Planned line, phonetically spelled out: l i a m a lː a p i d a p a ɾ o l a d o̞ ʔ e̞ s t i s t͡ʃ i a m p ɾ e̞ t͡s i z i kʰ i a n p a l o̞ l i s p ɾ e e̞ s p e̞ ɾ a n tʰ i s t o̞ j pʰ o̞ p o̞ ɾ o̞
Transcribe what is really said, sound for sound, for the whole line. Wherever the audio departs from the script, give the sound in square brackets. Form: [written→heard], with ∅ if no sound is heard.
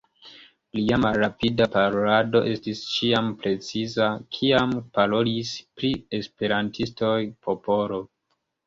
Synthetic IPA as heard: l i a m a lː a p i d a p a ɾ o l a d o̞ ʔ e̞ s t i s t͡ʃ i a m p ɾ e̞ t͡s i z [i→a] kʰ i a [n→m] p a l o̞ l i s p ɾ [e→i] e̞ s p e̞ ɾ a n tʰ i s t o̞ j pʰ o̞ p o̞ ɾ o̞